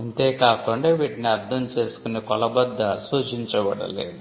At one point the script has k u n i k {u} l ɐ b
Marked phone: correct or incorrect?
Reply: incorrect